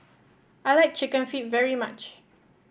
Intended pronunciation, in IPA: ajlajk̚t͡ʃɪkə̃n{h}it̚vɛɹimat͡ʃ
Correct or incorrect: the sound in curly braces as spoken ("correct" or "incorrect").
incorrect